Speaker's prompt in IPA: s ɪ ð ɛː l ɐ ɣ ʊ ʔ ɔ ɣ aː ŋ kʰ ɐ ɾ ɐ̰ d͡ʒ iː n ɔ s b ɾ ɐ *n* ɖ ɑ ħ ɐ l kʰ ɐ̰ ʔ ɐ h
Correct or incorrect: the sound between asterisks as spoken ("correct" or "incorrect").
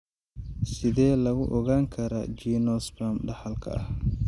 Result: incorrect